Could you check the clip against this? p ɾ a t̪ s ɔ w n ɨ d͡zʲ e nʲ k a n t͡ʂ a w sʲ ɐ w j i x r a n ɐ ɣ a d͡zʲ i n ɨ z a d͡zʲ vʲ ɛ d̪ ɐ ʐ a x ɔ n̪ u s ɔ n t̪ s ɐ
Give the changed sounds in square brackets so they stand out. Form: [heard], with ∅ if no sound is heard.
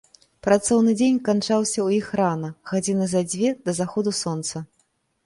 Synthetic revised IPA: p ɾ a t̪ s ɔ w n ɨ d͡zʲ e nʲ k a n t͡ʂ a w sʲ ɐ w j i x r a n ɐ ɣ a d͡zʲ i n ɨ z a d͡zʲ vʲ ɛ d̪ ɐ [z] a x ɔ [d̪] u s ɔ n t̪ s ɐ